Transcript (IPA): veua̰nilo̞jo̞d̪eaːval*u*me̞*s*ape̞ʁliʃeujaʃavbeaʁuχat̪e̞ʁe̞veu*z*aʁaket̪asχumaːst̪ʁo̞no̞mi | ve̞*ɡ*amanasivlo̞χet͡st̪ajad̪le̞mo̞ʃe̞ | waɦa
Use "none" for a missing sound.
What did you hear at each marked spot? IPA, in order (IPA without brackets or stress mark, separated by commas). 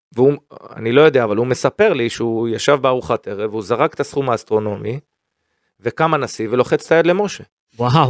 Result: u, s, z, k